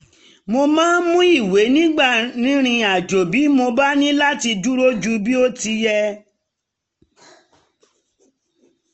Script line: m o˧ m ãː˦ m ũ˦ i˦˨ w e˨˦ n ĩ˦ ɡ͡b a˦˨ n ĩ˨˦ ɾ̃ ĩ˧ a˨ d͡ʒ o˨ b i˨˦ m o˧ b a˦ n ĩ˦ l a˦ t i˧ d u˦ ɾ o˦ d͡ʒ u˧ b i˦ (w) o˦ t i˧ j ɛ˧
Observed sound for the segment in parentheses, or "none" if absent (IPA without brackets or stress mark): none